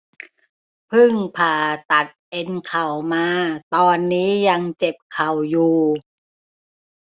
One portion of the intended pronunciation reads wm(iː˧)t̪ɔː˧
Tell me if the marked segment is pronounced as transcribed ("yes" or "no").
no